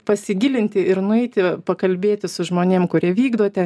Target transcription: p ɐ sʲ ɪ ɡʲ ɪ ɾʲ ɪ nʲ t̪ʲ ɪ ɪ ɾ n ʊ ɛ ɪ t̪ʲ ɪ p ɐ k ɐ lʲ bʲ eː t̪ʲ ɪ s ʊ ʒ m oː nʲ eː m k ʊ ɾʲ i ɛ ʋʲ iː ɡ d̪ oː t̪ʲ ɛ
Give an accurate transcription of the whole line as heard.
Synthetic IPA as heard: p ɐ sʲ ɪ ɡʲ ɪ lʲ ɪ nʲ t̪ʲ ɪ ɪ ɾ n ʊ ɛ ɪ t̪ʲ ɪ p ɐ k ɐ lʲ bʲ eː t̪ʲ ɪ s ʊ ʒ m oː nʲ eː m k ʊ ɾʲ i ɛ ʋʲ iː ɡ d̪ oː t̪ʲ ɛ